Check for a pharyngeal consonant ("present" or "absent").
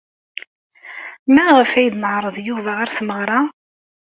present